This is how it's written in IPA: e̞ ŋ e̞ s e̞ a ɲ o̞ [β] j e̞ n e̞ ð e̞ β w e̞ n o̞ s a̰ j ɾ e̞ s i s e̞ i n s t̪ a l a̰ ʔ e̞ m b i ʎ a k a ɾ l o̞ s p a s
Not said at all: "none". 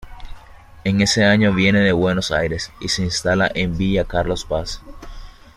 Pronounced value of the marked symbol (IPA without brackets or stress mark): β